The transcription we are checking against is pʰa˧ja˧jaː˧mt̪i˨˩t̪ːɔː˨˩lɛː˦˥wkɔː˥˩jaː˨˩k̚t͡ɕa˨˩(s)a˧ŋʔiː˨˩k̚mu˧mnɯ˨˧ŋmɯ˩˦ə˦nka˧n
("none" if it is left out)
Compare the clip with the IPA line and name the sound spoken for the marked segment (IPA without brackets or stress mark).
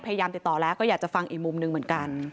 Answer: f